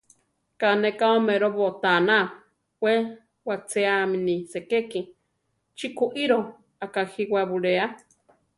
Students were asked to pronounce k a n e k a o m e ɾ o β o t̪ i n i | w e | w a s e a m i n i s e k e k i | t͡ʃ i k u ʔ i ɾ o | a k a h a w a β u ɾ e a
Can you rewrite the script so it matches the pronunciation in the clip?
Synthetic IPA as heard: k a n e k a o m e ɾ o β o t̪ a n a | w e | w a t͡s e a m i n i s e k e k i | t͡ʃ i k u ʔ i ɾ o | a k a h i w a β u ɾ e a